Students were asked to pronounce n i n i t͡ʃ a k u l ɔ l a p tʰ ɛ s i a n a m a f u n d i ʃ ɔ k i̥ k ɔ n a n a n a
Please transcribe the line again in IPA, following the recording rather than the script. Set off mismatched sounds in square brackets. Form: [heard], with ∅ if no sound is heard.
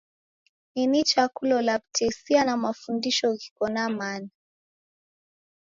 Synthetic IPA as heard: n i n i t͡ʃ a k u l ɔ l a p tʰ ɛ s i a n a m a f u n d i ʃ ɔ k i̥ k ɔ n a [m] a n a